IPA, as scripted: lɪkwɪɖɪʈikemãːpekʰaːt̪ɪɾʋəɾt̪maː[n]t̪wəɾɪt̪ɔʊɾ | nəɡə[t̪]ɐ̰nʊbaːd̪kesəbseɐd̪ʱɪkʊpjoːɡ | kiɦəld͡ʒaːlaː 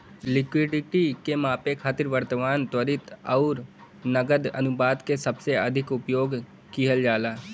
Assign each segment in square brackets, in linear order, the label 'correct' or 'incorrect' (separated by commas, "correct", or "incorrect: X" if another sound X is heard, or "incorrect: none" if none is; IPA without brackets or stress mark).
correct, incorrect: d̪